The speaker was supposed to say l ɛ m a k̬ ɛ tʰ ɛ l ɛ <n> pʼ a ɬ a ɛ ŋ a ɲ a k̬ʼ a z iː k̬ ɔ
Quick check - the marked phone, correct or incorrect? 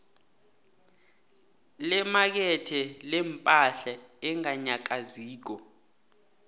incorrect